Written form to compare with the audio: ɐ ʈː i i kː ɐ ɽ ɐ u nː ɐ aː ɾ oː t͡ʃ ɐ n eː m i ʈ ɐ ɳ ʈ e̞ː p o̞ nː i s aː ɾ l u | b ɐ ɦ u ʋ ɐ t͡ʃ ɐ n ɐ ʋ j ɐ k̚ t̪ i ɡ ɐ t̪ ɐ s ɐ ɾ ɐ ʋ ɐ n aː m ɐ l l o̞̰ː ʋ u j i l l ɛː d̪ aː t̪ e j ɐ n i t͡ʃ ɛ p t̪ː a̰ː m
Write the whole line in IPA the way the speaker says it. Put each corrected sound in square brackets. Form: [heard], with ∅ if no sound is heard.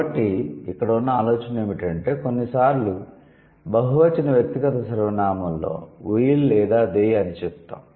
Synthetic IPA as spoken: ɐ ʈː i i kː ɐ ɽ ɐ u nː ɐ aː [l] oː t͡ʃ ɐ n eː m i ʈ ɐ ɳ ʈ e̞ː [k] o̞ nː i s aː ɾ l u | b ɐ ɦ u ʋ ɐ t͡ʃ ɐ n ɐ ʋ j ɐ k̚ t̪ i ɡ ɐ t̪ ɐ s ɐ ɾ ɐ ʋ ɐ n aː m ɐ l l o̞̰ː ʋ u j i l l ɛː d̪ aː [d̪] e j ɐ n i t͡ʃ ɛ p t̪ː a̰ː m